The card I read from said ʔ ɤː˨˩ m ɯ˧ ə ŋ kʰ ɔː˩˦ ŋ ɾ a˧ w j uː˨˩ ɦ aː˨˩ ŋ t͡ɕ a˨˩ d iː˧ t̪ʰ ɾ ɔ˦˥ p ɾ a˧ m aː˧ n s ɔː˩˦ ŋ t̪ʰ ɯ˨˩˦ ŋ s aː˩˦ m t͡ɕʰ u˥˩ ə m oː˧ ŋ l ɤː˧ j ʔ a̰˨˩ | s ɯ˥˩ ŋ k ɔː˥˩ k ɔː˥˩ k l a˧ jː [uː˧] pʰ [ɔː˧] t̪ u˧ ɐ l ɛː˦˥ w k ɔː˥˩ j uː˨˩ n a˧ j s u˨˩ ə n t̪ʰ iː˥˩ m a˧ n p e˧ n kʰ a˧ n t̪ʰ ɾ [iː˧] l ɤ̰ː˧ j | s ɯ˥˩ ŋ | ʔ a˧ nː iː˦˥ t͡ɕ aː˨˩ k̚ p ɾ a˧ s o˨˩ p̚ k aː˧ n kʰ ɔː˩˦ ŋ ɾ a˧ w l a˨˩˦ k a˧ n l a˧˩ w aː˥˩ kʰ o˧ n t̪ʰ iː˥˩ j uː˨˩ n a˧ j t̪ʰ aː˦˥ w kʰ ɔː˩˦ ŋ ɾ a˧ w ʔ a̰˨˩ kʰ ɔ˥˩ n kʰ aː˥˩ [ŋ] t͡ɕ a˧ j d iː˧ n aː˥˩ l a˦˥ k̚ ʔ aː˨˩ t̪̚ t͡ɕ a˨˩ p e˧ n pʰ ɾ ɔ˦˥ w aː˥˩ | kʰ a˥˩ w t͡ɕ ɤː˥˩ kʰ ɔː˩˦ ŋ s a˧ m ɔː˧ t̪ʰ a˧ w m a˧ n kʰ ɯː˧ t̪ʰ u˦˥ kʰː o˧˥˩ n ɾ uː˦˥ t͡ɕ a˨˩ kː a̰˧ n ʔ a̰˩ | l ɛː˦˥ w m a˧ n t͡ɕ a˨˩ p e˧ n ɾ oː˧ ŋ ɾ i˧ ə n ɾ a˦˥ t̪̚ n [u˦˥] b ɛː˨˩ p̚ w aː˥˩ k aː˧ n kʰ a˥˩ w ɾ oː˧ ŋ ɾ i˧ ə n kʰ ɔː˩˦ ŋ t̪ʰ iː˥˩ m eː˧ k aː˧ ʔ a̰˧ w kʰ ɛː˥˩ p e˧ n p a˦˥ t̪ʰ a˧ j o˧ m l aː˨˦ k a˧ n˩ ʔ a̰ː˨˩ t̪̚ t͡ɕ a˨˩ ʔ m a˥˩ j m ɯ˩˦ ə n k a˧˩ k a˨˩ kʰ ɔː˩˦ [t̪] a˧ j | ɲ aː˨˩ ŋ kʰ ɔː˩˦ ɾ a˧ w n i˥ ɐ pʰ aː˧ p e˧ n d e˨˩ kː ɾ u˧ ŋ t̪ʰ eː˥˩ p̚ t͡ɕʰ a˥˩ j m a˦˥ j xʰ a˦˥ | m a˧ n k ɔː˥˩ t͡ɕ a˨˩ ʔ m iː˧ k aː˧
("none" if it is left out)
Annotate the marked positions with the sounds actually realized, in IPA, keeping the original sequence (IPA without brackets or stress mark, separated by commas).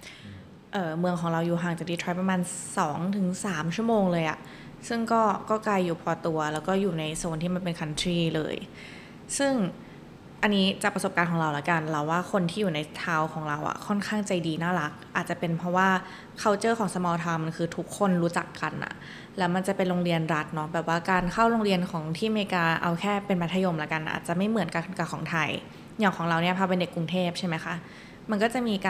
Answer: uː˨˩, ɔː˧, iː˥˩, ŋ, ɔ˦˥, t̪ʰ